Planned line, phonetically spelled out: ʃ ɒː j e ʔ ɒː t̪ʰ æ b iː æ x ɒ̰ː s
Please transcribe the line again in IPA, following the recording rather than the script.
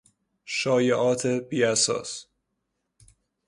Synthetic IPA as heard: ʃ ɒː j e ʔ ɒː t̪ʰ e b iː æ s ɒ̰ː s